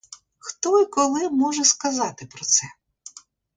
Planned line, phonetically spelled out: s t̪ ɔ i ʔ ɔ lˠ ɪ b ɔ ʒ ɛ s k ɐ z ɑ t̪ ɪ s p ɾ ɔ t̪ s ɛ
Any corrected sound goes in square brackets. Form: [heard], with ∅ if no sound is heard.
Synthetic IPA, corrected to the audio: [x] t̪ ɔ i [k] ɔ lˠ ɪ [m] ɔ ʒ ɛ s k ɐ z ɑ t̪ ɪ [∅] p ɾ ɔ t̪ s ɛ